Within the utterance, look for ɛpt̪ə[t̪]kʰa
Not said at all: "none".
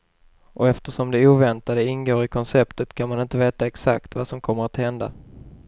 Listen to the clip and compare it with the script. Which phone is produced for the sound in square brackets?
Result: t̪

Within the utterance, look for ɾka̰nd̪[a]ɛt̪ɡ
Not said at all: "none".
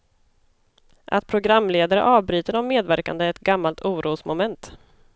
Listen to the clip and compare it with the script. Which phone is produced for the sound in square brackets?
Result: ə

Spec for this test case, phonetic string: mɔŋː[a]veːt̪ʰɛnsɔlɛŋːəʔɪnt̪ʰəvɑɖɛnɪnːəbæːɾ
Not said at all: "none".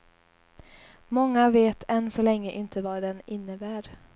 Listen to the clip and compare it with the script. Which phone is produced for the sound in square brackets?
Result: a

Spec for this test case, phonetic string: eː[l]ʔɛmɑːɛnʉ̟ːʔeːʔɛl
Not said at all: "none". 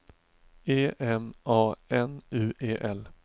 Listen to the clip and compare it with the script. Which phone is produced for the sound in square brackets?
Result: none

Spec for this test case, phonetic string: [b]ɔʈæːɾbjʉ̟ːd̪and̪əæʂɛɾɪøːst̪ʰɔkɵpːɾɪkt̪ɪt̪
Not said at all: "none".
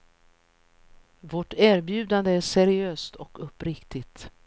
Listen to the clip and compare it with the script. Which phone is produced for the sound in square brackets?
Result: v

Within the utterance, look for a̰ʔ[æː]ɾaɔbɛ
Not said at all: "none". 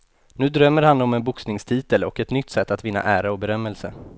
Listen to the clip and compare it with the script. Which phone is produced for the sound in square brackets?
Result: æː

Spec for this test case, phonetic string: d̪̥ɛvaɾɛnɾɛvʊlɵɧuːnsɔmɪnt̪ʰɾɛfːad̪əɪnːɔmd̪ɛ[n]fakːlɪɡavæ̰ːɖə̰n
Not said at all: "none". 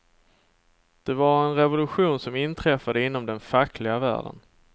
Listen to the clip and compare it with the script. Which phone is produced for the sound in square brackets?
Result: n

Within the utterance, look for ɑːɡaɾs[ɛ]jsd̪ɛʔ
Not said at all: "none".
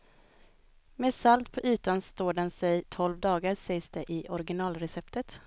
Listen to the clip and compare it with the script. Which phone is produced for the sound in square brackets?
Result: ɛ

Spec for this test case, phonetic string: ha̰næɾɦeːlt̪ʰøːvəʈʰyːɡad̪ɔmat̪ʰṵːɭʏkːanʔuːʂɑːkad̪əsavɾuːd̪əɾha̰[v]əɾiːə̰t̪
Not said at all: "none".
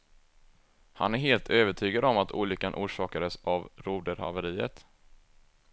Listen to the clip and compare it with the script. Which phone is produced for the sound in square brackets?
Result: v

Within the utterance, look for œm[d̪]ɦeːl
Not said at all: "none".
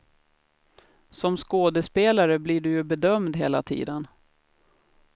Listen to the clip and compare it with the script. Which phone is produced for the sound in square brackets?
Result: d̪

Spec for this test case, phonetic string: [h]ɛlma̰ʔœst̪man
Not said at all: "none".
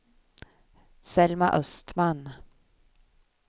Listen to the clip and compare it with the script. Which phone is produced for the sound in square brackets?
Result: s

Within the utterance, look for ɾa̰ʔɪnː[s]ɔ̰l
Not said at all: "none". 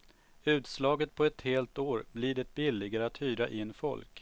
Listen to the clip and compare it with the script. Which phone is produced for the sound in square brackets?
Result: f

